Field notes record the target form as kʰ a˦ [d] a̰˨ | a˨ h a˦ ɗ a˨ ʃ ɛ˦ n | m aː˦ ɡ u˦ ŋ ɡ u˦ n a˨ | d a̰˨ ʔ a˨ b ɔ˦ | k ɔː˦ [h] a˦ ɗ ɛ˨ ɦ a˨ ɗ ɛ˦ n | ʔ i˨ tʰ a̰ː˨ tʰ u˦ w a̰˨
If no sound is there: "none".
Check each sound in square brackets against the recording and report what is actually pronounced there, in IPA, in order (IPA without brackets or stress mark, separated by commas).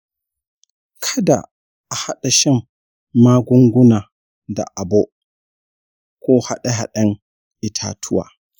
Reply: d, h